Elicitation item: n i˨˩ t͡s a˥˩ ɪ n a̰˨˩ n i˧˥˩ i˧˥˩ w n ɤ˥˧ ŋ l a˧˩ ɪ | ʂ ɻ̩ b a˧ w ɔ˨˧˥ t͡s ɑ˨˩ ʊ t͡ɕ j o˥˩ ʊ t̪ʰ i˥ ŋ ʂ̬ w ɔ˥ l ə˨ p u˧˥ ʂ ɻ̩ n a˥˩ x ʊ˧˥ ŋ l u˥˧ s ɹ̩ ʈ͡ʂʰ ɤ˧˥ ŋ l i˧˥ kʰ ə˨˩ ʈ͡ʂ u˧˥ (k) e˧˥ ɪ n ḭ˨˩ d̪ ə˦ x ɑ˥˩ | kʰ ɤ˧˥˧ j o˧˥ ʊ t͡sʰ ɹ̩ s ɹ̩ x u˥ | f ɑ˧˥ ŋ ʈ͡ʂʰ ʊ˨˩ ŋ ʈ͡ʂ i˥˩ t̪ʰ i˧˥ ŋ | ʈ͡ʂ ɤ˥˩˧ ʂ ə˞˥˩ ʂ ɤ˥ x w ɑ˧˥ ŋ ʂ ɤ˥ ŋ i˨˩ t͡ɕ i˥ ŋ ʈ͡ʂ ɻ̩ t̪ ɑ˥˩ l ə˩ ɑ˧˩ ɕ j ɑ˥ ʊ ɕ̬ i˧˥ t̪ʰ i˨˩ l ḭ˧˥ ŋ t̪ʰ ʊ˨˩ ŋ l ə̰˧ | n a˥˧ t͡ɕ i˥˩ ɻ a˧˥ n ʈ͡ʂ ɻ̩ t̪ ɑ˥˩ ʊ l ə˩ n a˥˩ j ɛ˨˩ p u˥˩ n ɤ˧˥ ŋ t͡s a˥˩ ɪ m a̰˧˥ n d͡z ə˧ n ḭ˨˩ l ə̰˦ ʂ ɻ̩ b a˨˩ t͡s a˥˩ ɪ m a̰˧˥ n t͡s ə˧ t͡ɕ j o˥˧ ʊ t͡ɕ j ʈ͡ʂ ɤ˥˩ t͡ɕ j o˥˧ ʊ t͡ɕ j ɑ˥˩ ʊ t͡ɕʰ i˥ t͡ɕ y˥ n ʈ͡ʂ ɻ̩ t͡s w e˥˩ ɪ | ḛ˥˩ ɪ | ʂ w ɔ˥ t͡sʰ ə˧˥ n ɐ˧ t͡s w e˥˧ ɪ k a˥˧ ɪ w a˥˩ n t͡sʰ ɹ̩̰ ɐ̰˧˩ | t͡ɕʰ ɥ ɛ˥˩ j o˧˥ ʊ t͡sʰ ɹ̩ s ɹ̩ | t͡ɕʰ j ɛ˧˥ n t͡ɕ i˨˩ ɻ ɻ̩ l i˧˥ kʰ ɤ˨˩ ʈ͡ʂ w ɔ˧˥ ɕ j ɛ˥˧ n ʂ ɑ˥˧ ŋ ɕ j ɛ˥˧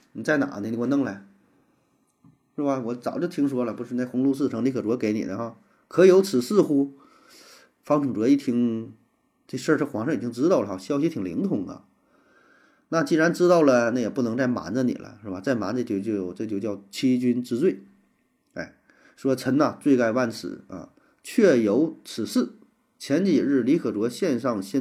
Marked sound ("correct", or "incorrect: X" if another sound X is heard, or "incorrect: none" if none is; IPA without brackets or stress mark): correct